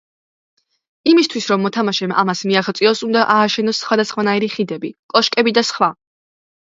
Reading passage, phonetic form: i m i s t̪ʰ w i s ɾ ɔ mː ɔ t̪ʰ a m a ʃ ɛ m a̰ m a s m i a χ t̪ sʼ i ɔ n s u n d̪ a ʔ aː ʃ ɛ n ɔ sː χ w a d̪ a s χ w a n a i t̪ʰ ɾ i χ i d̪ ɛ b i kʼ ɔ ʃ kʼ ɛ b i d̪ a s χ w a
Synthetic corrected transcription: i m i s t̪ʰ w i s ɾ ɔ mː ɔ t̪ʰ a m a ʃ ɛ m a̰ m a s m i a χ t̪ sʼ i ɔ s u n d̪ a ʔ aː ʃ ɛ n ɔ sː χ w a d̪ a s χ w a n a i ɾ i χ i d̪ ɛ b i kʼ ɔ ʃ kʼ ɛ b i d̪ a s χ w a